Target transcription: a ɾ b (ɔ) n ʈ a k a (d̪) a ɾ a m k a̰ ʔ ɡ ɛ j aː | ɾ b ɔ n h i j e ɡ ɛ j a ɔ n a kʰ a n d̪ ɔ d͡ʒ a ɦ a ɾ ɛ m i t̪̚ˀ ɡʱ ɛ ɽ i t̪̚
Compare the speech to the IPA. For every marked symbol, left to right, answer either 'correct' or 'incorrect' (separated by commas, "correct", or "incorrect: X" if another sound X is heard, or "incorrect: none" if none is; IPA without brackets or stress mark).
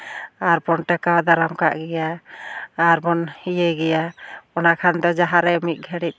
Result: correct, correct